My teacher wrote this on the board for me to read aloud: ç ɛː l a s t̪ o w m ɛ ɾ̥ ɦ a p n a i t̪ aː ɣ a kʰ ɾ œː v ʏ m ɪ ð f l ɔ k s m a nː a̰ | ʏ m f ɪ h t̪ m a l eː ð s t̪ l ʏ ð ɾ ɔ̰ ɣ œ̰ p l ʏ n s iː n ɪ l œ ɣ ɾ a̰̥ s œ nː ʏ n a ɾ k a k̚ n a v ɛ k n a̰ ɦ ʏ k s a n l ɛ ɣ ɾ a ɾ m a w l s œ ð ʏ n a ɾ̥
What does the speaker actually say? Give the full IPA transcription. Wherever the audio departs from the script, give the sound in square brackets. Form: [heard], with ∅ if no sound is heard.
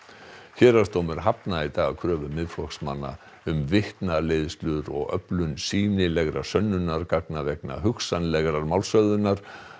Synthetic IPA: ç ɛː [ɾ] a s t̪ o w m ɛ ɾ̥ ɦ a p n a i t̪ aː ɣ a kʰ ɾ œː v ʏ m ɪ ð f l ɔ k s m a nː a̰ | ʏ m [v] ɪ h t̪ [n] a l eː ð s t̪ l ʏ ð ɾ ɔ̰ ɣ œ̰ p l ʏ n s iː n ɪ l [ɛ] ɣ ɾ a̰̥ s œ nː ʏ n a ɾ k a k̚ n a v ɛ k n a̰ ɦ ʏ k s a n l ɛ ɣ ɾ a ɾ m a w l s œ ð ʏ n a ɾ̥